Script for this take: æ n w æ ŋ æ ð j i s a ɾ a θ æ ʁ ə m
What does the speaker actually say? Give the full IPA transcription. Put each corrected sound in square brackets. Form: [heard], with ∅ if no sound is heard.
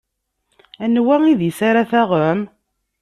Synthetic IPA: æ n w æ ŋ [i] ð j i s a ɾ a θ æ ʁ ə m